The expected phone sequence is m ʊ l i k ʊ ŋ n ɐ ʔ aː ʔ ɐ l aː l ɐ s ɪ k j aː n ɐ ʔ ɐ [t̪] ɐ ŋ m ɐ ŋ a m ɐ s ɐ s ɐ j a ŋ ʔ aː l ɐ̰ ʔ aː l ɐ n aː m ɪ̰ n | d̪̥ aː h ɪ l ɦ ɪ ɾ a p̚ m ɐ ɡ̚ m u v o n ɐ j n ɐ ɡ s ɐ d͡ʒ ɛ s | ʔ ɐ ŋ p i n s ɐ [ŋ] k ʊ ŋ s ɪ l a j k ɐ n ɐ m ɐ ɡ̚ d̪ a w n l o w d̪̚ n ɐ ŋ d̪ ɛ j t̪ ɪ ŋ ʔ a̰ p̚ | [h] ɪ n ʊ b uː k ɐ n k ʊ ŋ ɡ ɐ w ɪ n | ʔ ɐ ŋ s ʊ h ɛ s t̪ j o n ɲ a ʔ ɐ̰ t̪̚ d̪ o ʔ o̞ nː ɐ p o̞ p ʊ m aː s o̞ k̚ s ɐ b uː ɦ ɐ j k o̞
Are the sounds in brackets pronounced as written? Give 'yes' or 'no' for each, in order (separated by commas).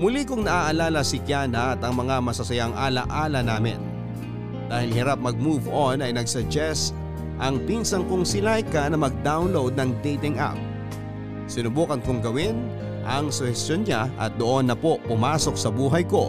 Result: yes, yes, no